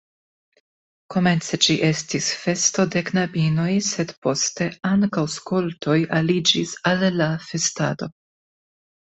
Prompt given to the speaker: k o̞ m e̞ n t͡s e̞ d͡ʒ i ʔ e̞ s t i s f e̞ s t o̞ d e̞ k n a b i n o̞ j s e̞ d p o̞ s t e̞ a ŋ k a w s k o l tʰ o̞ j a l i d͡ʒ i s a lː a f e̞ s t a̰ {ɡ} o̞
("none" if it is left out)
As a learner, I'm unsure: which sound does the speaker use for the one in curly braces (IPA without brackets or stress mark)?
d